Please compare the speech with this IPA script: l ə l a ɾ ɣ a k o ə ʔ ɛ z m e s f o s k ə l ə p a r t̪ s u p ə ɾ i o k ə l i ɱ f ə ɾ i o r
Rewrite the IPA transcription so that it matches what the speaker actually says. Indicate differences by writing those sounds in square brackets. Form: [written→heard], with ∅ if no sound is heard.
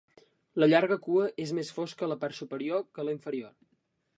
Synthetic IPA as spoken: l ə [l→ʎ] a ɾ ɣ [a→ə] k [o→u] ə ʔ [ɛ→e] z m e s f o s k ə l ə p a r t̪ s u p ə ɾ i o k ə l i ɱ f ə ɾ i o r